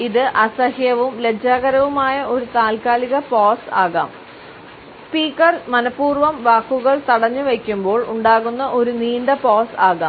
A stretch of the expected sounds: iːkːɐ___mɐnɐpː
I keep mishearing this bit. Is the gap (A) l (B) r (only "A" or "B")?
B